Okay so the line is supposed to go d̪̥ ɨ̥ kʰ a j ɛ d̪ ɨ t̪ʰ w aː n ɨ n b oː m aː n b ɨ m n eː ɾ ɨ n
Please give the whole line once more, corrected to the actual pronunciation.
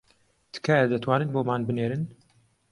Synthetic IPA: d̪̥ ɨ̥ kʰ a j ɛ d̪ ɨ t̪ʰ w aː n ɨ n b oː m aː n b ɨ n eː ɾ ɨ n